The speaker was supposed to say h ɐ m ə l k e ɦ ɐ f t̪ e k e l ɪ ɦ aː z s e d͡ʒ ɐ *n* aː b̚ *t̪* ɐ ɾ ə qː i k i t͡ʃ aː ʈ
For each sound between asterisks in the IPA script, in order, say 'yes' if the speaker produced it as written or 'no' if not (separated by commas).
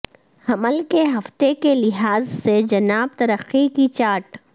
yes, yes